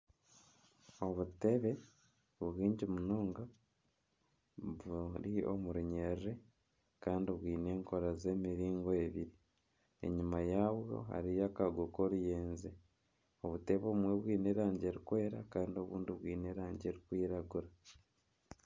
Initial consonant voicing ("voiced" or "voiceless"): voiced